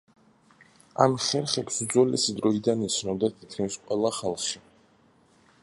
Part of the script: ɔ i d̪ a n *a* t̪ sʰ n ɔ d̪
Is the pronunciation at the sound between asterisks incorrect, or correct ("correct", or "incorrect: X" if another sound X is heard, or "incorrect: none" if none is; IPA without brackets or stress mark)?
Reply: incorrect: i